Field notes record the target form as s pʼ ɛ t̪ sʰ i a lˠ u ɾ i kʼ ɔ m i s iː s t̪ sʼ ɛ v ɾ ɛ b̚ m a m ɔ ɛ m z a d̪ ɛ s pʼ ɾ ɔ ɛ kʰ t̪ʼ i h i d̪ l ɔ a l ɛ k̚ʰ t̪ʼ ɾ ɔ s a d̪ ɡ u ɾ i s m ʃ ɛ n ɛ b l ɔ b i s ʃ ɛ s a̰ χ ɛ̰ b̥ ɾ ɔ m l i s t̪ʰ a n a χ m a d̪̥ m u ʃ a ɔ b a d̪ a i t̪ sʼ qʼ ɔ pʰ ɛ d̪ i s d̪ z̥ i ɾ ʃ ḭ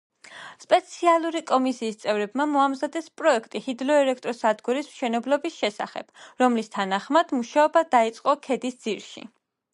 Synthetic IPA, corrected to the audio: s pʼ ɛ t̪ sʰ i a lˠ u ɾ i kʼ ɔ m i s iː s t̪ sʼ ɛ v ɾ ɛ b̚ m a m ɔ a m z a d̪ ɛ s pʼ ɾ ɔ ɛ kʰ t̪ʼ i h i d̪ l ɔ ɛ l ɛ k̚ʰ t̪ʼ ɾ ɔ s a d̪ ɡ u ɾ i s m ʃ ɛ n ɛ b l ɔ b i s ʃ ɛ s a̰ χ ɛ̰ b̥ ɾ ɔ m l i s t̪ʰ a n a χ m a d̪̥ m u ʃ a ɔ b a d̪ a i t̪ sʼ qʼ ɔ kʰ ɛ d̪ i s d̪ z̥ i ɾ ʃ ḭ